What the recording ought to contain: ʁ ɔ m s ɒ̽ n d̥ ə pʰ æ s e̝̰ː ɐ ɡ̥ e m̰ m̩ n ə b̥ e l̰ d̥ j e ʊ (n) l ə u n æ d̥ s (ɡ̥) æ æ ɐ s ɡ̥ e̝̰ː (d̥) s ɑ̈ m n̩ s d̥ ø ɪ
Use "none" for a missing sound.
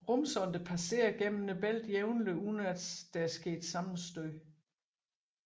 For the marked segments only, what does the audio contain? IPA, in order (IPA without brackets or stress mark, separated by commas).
n, d̥, d̥